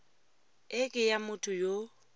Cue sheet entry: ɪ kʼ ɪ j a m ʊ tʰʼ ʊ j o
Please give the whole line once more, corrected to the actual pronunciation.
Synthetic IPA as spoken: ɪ kʼ ɪ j a m ʊ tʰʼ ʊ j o